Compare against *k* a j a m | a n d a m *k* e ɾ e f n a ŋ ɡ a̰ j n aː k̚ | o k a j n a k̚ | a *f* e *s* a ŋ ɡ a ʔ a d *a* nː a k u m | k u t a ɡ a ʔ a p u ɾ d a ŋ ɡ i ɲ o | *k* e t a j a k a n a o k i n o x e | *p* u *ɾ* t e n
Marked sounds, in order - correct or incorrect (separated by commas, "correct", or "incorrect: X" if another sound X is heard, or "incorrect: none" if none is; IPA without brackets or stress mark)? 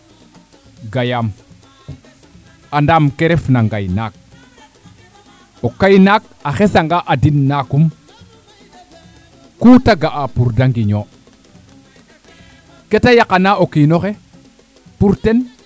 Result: incorrect: ɡ, correct, incorrect: x, correct, incorrect: i, correct, correct, correct